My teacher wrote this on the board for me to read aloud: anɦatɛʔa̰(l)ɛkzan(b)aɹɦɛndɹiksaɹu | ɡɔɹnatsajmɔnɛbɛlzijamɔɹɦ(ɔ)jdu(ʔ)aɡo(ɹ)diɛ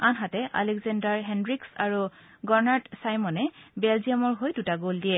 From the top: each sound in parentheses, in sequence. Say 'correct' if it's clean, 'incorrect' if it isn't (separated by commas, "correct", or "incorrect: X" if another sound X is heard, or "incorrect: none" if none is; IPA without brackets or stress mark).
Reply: correct, incorrect: d, incorrect: o, incorrect: t, incorrect: l